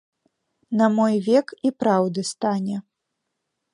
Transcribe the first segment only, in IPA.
n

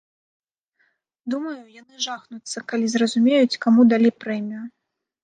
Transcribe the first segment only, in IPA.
d̪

